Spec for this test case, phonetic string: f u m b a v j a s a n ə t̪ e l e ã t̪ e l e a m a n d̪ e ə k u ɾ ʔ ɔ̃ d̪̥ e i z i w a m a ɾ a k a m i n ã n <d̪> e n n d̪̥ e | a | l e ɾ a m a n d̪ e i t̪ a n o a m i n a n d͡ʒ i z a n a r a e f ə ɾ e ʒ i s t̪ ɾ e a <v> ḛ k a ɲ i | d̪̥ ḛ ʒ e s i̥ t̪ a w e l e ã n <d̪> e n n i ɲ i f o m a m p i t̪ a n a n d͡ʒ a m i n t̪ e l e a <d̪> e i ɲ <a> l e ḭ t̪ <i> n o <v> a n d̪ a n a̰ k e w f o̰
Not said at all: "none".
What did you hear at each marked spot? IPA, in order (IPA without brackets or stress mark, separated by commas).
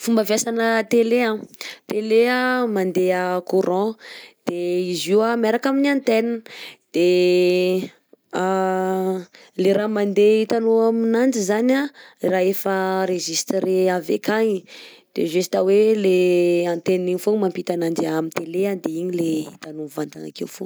t̪, v, t̪, d̪, i, a, v